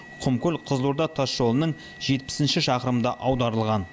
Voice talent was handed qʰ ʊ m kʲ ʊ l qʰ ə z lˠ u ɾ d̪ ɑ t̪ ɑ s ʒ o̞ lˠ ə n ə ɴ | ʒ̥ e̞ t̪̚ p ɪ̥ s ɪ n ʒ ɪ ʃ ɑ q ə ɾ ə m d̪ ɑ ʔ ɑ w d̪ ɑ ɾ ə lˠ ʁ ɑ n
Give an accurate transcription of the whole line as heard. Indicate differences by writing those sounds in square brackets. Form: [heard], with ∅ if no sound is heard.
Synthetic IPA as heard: qʰ ʊ m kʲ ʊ l qʰ ə z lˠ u ɾ d̪ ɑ [t̪ʰ] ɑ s ʒ o̞ lˠ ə n ə ɴ | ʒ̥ e̞ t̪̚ p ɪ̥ s ɪ n [ʃ] ɪ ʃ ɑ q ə ɾ ə m d̪ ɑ ʔ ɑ w d̪ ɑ ɾ ə lˠ ʁ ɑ n